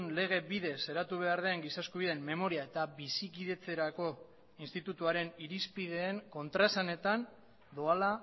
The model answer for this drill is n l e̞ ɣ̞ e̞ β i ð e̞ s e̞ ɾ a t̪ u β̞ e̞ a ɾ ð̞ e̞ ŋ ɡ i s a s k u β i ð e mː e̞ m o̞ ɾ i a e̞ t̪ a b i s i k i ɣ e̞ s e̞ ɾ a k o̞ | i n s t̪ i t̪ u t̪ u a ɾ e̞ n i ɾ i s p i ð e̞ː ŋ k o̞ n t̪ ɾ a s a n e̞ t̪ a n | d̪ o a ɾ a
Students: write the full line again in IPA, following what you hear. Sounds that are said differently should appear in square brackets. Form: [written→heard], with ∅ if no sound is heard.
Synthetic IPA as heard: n l e̞ ɣ̞ e̞ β i ð e̞ s e̞ ɾ a t̪ u β̞ e̞ a ɾ ð̞ e̞ ŋ ɡ i s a s k u β i ð e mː e̞ m o̞ ɾ i a e̞ t̪ a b i s i k i [ɣ→ð] e̞ [s→t͡s] e̞ ɾ a k o̞ | i n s t̪ i t̪ u t̪ u a ɾ e̞ n i ɾ i s p i ð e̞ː ŋ k o̞ n t̪ ɾ a s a n e̞ t̪ a n | d̪ o a [ɾ→l] a